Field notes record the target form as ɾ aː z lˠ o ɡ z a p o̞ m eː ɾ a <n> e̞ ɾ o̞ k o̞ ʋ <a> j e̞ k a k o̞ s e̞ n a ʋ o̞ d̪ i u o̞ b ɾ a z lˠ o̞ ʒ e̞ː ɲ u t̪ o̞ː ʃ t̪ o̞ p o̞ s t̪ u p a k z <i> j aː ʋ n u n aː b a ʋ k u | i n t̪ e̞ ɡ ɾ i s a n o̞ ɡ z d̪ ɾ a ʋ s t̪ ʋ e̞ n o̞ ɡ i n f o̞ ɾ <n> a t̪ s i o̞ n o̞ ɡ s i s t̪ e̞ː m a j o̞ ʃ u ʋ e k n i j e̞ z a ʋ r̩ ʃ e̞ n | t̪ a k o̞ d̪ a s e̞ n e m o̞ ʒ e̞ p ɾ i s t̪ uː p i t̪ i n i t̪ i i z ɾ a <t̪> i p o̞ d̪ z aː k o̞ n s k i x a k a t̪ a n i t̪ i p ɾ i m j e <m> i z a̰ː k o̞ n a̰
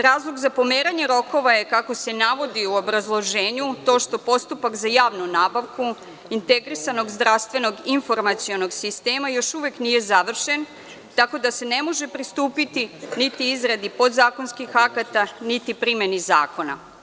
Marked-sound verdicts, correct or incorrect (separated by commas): incorrect, correct, incorrect, incorrect, incorrect, incorrect